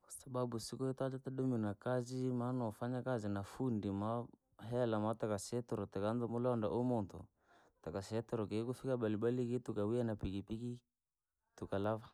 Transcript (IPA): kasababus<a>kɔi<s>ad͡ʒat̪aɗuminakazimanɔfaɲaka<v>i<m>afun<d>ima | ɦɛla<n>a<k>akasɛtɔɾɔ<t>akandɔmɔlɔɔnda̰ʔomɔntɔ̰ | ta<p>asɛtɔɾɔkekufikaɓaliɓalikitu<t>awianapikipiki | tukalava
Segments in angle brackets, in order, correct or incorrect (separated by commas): incorrect, incorrect, incorrect, incorrect, correct, incorrect, incorrect, correct, incorrect, incorrect